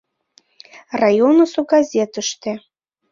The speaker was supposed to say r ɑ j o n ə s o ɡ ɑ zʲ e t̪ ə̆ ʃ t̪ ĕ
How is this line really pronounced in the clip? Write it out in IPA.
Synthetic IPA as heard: r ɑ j o n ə s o ɡ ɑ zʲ e t̪ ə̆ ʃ t̪ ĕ